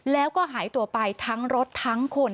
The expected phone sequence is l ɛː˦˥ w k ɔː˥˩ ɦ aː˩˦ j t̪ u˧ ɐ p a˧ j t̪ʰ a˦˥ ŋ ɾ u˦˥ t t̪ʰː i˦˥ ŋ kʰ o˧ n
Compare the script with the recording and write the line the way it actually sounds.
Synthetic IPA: l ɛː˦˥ w k ɔː˥˩ ɦ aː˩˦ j t̪ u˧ ɐ p a˧ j t̪ʰ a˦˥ ŋ ɾ o˦˥ t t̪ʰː a˦˥ ŋ kʰ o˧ n

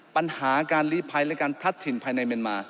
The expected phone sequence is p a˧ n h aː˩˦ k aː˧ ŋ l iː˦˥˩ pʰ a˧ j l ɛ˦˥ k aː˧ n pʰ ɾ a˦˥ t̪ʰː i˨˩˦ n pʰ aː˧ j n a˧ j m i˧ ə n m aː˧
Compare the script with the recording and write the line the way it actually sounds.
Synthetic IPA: p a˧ n h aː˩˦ k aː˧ n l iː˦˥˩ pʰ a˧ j l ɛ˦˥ k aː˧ n pʰ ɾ a˦˥ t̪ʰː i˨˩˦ n pʰ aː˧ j n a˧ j m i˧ ə n m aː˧

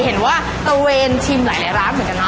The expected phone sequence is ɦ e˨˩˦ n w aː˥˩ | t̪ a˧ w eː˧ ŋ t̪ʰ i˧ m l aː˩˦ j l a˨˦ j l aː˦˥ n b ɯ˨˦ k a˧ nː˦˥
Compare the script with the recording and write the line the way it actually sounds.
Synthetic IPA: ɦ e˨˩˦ n w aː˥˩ | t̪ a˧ w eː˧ n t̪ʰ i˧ m l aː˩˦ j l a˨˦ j ɾ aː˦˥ n m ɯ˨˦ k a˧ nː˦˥

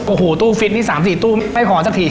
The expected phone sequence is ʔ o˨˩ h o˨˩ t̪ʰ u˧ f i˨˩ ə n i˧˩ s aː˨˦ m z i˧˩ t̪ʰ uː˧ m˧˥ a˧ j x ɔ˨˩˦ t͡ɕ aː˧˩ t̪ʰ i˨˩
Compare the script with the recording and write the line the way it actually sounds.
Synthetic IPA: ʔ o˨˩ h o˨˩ t̪ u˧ f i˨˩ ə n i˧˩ s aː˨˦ m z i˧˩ t̪ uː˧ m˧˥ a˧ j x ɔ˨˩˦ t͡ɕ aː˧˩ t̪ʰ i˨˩

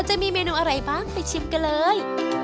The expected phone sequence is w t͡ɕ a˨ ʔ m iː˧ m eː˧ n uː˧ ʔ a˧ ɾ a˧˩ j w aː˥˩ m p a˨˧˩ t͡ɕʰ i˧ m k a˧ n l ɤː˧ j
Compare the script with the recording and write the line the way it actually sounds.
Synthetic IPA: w t͡ɕ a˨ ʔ m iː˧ m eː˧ n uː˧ ʔ a˧ ɾ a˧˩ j b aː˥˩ ŋ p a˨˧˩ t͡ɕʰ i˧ m k a˧ n l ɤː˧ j

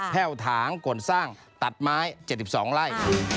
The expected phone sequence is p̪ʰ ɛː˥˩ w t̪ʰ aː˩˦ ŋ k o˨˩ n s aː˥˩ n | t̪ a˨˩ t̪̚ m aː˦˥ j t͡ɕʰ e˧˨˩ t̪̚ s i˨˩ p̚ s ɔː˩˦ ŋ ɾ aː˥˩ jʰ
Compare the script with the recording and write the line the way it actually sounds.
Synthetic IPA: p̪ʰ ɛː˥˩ w t̪ʰ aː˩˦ ŋ k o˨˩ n s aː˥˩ ŋ | t̪ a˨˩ t̪̚ m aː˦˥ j t͡ɕ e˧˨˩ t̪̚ s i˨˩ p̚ s ɔː˩˦ ŋ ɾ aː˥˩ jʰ

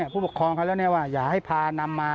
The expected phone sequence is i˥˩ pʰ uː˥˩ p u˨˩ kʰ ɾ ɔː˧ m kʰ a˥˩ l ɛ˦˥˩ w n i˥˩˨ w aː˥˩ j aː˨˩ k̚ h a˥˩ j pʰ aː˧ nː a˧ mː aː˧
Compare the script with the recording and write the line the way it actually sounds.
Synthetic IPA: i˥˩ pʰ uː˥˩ p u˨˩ kʰ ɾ ɔː˧ ŋ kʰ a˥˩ l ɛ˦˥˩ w n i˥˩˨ w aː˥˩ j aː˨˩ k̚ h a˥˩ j pʰ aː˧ n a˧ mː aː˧

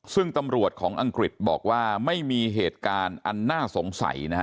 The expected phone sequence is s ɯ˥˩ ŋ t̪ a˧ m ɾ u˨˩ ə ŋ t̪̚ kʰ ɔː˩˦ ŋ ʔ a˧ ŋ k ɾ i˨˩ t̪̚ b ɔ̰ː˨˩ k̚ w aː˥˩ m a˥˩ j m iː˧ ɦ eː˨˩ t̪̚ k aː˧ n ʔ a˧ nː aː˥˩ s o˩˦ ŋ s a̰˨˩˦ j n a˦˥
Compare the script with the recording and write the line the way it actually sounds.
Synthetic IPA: s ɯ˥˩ ŋ t̪ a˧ m ɾ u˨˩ ə t̪̚ kʰ ɔː˩˦ ŋ ʔ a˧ ŋ k ɾ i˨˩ t̪̚ b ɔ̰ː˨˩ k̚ w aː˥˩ m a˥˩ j m iː˧ ɦ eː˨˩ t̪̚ k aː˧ n ʔ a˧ nː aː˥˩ s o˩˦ ŋ s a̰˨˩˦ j n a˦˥

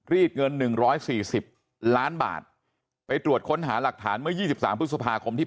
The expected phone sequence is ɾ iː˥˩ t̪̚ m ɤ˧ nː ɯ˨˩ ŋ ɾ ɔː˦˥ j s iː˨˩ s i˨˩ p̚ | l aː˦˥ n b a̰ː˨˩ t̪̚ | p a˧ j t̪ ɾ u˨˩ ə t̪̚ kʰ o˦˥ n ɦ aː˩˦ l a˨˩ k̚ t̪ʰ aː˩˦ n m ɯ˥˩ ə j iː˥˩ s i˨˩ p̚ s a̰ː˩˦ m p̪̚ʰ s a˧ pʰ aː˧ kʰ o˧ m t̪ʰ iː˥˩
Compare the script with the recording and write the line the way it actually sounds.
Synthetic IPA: ɾ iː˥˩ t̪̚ ŋ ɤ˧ nː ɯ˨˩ ŋ ɾ ɔː˦˥ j s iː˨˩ s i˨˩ p̚ | l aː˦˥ n b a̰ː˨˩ t̪̚ | p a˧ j t̪ ɾ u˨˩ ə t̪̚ kʰ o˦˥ n ɦ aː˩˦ l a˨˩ k̚ t̪ʰ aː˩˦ n m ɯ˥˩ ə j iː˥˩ s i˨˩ p̚ s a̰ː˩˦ m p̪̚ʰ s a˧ pʰ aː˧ kʰ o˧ m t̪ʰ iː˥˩

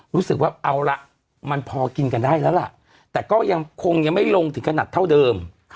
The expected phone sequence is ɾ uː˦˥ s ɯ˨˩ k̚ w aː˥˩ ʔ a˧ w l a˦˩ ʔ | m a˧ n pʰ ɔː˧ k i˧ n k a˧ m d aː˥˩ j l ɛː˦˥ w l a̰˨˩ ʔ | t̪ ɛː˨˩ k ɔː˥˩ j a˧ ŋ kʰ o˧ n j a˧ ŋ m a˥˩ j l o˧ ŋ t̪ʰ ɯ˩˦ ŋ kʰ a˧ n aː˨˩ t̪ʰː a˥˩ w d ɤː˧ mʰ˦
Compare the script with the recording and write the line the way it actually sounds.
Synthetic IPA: ɾ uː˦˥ s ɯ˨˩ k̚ w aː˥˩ ʔ a˧ w l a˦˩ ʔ | m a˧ n pʰ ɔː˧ k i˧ n k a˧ n d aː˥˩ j l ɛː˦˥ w l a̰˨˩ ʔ | t̪ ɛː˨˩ k ɔː˥˩ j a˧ ŋ kʰ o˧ ŋ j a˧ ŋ m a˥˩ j l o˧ ŋ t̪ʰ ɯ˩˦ ŋ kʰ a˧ n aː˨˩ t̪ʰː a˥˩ w d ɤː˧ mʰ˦

